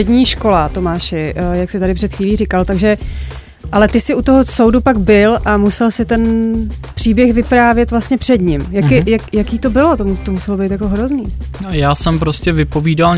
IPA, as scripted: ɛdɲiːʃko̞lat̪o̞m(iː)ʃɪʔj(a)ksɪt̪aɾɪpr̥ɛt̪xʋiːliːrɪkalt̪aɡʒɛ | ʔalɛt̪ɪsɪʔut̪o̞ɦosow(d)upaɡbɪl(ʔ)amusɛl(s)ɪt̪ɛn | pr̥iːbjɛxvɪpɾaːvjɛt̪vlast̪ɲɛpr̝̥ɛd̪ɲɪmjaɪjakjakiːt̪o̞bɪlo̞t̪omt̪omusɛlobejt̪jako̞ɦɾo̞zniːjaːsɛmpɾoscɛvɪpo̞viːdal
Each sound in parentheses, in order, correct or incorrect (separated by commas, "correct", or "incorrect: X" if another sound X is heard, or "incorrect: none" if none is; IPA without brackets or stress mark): incorrect: aː, correct, correct, correct, correct